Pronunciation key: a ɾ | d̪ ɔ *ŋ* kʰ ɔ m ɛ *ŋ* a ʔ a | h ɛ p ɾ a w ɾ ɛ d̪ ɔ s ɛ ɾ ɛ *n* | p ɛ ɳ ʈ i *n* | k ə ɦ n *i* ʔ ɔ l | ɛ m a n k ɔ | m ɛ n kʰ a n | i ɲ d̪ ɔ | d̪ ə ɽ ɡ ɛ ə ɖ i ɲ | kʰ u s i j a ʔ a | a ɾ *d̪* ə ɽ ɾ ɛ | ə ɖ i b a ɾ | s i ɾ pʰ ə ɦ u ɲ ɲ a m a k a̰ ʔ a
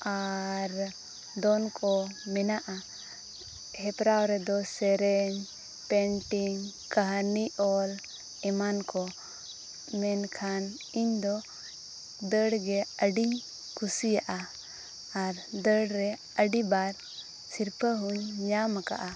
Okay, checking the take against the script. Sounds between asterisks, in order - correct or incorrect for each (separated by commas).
incorrect, incorrect, incorrect, incorrect, correct, correct